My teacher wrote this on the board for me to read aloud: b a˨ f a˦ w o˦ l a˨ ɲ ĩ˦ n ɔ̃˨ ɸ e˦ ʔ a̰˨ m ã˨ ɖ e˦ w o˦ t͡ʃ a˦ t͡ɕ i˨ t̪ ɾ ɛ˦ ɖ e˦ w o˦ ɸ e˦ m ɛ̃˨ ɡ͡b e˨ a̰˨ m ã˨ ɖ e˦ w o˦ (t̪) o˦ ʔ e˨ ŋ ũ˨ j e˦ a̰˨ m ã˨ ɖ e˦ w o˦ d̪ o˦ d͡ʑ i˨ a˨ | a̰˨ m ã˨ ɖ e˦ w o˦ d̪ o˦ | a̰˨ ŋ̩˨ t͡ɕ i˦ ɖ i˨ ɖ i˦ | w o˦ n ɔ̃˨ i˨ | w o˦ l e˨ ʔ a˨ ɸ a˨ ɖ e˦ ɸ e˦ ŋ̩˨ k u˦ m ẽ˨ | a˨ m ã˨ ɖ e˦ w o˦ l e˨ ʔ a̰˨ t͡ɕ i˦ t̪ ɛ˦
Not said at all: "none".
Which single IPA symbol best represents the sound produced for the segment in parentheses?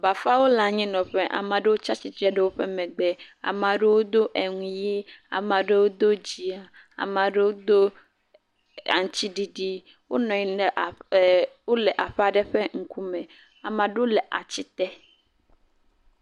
d̪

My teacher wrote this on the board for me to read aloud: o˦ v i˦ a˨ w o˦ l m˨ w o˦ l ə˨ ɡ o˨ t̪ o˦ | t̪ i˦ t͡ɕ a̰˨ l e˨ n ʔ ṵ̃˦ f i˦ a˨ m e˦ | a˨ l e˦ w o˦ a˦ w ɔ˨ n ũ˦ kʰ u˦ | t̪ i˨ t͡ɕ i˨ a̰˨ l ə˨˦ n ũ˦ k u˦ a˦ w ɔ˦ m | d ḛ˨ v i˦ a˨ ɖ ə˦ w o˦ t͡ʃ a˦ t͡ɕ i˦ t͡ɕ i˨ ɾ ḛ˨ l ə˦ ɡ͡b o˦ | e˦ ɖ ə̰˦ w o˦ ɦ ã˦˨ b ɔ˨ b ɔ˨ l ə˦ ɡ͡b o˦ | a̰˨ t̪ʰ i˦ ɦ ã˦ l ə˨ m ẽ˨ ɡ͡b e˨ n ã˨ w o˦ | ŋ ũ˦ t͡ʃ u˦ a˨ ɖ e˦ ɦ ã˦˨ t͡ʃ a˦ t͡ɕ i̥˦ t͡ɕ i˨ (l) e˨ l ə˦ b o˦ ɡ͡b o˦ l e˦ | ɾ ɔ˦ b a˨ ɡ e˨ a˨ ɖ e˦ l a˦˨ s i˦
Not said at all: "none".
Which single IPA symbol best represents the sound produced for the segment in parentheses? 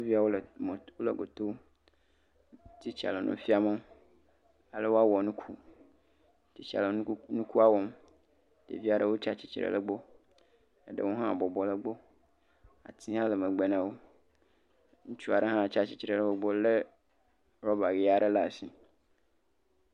ɾ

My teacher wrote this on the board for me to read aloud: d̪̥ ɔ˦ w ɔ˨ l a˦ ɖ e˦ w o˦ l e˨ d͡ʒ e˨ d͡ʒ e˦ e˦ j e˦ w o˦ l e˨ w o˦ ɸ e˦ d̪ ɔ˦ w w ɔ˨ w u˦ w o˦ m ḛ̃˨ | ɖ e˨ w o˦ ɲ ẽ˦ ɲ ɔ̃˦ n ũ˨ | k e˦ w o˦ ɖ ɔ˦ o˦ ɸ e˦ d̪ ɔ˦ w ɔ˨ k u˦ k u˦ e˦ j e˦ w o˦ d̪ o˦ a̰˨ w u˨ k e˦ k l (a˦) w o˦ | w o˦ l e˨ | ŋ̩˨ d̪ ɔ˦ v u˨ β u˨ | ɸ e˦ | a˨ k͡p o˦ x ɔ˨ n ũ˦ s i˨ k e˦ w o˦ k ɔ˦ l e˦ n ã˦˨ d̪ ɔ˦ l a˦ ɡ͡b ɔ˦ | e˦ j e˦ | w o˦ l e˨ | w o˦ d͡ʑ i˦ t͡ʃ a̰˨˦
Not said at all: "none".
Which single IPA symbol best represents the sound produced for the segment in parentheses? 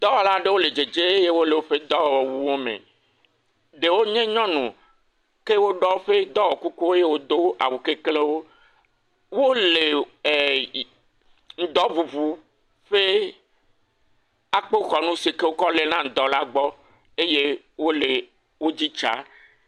e˦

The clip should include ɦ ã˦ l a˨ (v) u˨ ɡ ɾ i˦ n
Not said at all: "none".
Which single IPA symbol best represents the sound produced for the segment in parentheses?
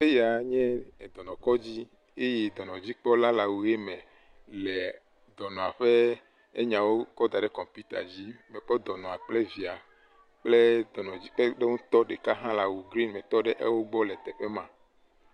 w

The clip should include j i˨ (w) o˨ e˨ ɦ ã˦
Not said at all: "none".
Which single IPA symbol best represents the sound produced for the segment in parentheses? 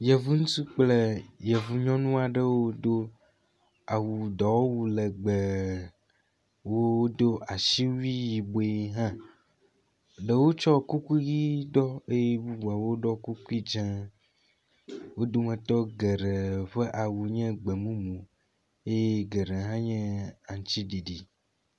b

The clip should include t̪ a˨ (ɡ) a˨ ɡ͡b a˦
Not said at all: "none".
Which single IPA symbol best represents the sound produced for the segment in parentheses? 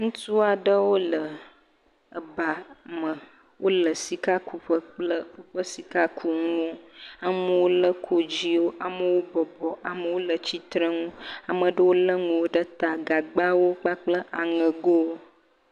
ɡ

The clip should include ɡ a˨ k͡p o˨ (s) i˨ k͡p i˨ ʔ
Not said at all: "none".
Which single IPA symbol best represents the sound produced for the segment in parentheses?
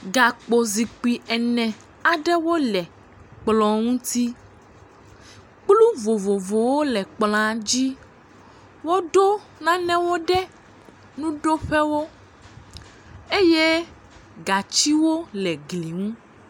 z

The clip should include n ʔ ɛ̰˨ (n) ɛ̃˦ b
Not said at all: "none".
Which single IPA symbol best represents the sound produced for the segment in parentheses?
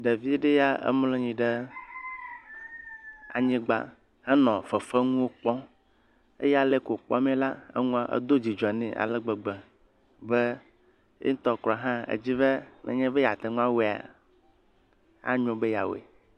ɲ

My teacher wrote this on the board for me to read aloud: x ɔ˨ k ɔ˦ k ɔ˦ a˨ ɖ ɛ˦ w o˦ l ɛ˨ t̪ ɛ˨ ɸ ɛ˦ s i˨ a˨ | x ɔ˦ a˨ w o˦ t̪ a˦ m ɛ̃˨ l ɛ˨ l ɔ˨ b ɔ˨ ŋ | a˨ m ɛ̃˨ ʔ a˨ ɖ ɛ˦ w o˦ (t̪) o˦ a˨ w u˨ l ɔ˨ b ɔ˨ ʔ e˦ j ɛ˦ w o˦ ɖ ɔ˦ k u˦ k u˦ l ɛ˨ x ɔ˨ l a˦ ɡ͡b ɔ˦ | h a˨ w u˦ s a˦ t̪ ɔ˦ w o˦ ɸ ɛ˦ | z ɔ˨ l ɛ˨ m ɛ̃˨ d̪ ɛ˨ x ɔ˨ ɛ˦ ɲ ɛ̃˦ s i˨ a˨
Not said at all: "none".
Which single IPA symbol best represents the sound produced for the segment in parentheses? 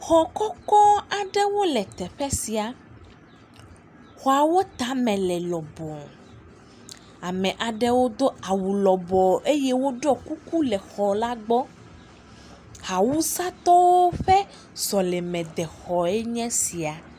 d̪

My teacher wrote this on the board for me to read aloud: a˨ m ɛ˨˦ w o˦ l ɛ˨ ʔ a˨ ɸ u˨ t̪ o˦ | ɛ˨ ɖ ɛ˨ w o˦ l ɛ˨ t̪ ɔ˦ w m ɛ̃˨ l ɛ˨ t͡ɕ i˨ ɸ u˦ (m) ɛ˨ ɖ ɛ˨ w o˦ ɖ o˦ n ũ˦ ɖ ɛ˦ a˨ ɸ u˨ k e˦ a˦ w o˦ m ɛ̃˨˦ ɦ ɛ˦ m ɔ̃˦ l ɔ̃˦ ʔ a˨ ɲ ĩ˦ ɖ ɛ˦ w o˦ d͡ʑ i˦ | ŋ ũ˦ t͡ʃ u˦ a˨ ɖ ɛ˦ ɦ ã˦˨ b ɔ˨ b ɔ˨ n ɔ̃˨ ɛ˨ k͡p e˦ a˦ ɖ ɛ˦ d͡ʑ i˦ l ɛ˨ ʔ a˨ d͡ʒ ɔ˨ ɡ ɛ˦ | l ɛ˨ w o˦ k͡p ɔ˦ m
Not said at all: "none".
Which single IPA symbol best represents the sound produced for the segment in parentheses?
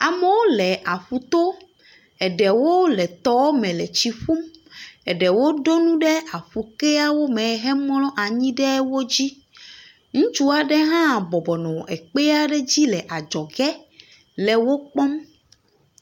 m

